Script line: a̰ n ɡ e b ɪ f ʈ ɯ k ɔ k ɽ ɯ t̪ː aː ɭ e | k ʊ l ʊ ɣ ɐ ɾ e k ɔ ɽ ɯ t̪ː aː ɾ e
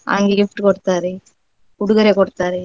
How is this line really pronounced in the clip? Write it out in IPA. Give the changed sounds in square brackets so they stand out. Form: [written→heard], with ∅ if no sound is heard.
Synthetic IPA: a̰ [n→ŋ] ɡ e [b→ɡ] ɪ f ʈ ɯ k ɔ [k→∅] ɽ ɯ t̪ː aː [ɭ→ɾ] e | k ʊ [l→ɽ] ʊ ɣ ɐ ɾ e k ɔ ɽ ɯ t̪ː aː ɾ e